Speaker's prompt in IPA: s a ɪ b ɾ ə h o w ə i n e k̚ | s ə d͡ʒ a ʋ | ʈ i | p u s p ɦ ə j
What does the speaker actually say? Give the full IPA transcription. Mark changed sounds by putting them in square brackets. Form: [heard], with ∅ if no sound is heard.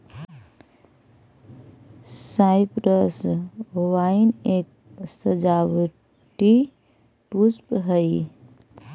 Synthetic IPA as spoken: s a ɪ [p] ɾ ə [s] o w [a] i n e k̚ | s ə d͡ʒ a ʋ | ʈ i | p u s p ɦ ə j